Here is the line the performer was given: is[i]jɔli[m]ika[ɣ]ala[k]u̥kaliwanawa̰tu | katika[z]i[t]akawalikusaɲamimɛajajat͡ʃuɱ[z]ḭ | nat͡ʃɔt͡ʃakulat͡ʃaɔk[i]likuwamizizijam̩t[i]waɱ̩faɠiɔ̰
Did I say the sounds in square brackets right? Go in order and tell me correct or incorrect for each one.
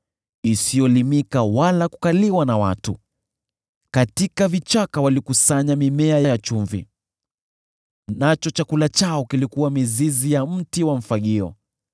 correct, correct, incorrect: w, correct, incorrect: v, incorrect: t͡ʃ, incorrect: v, correct, correct

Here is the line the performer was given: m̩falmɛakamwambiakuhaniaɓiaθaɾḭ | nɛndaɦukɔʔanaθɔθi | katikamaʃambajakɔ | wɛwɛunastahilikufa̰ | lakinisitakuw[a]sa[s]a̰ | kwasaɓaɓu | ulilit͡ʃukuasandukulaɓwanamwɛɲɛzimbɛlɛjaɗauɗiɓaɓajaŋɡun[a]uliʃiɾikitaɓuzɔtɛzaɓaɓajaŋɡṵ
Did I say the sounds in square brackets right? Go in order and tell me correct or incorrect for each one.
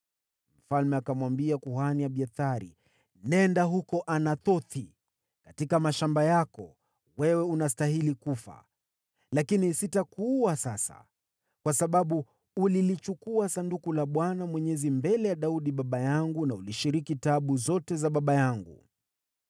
correct, correct, correct

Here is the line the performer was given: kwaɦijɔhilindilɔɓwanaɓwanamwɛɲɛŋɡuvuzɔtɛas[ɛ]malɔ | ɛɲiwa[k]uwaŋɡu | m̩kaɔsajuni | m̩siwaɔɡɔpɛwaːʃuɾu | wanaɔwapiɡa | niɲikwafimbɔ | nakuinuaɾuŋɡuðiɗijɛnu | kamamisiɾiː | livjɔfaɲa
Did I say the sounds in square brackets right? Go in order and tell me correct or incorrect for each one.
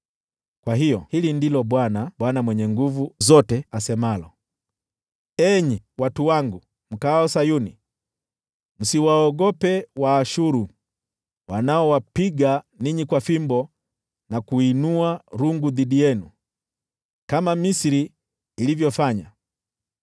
correct, incorrect: t

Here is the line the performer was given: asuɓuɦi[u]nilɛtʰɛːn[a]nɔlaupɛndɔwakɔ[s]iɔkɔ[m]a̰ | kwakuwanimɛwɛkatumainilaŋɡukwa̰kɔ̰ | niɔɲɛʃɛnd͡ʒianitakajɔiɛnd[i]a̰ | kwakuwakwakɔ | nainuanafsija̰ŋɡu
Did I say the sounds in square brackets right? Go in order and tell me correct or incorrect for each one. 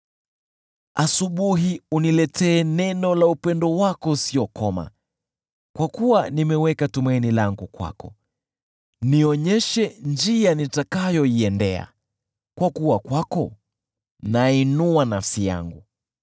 correct, incorrect: ɛ, correct, correct, incorrect: ɛ

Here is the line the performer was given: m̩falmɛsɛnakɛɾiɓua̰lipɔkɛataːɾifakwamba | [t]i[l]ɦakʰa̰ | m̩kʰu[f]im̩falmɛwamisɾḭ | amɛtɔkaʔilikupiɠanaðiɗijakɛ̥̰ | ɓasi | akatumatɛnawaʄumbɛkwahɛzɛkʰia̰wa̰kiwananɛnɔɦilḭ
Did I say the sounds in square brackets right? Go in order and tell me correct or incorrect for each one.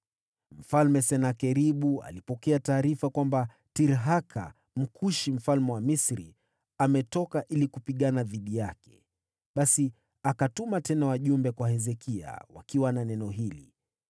correct, incorrect: ɾ, incorrect: ʃ

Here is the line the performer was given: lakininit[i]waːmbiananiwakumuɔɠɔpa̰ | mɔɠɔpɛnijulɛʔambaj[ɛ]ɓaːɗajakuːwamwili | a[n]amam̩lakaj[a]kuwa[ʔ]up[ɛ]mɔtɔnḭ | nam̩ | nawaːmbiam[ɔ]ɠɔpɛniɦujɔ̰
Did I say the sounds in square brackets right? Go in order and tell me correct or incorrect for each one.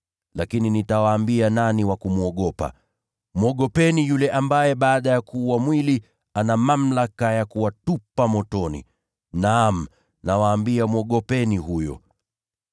incorrect: a, correct, correct, correct, incorrect: t, incorrect: a, correct

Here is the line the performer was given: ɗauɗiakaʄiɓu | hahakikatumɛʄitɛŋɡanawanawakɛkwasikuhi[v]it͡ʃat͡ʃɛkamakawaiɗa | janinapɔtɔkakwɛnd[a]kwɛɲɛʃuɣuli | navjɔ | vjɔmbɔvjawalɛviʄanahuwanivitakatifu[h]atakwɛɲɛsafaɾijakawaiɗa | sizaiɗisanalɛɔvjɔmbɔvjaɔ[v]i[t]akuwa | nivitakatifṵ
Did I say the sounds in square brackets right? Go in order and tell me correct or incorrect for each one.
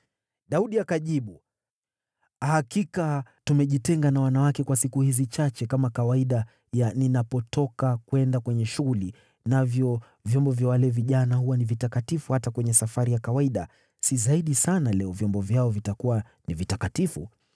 incorrect: z, correct, correct, correct, correct

